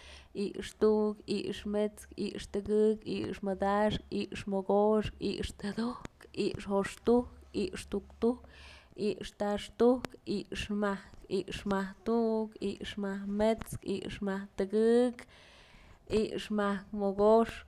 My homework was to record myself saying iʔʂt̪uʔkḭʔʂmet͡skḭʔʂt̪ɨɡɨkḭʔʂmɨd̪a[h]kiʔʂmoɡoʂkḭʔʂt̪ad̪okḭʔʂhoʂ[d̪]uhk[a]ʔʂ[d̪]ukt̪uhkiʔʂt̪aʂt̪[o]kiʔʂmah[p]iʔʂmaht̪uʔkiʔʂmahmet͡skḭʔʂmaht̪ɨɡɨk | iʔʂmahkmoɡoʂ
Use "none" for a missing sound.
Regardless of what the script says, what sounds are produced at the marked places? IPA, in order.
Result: ʂ, t̪, i, t̪, u, k

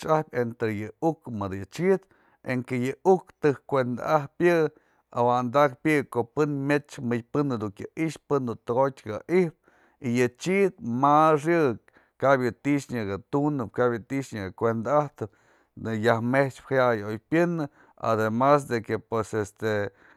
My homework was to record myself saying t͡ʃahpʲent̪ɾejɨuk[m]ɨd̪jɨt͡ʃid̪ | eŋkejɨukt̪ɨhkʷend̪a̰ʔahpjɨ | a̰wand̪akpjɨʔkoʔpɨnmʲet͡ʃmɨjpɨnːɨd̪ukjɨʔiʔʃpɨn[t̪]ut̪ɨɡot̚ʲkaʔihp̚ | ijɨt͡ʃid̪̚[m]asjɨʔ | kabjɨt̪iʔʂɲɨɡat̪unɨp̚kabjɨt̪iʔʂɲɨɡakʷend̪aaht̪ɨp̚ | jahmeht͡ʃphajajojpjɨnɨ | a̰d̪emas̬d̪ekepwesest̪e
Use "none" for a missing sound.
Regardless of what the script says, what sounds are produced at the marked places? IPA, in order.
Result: m, d̪, m

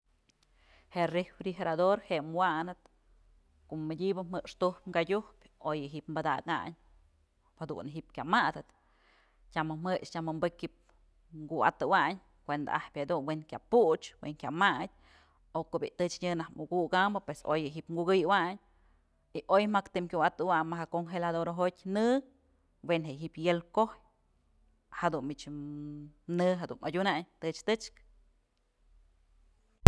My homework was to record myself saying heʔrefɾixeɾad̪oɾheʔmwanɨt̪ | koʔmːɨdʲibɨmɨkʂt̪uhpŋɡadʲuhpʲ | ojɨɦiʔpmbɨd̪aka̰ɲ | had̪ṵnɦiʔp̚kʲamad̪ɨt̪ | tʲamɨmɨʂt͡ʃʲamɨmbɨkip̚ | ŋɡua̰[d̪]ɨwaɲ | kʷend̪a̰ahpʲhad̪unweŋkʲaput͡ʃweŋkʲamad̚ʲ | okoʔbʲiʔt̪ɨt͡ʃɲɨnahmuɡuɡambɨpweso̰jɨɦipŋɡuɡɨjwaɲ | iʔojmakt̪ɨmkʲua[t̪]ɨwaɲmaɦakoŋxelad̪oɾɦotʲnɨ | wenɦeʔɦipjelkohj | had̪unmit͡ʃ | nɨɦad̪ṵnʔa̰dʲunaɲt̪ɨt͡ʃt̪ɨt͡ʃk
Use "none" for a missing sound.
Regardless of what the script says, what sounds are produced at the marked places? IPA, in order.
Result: t̪, t̪

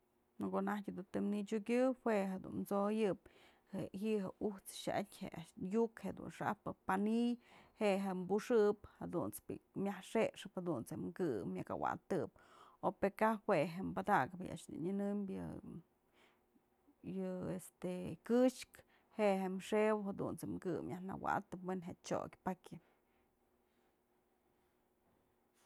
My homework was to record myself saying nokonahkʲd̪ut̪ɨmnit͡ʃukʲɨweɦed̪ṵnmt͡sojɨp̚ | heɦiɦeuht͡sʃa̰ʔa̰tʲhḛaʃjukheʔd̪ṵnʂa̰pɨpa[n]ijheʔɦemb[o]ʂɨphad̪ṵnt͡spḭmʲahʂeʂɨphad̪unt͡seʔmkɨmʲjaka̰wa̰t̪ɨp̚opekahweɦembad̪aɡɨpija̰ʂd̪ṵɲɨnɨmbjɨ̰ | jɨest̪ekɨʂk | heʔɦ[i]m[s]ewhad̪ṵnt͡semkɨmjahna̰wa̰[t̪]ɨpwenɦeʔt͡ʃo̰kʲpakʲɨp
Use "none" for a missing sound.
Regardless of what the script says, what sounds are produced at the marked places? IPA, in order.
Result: n, u, e, ʂ, t̪

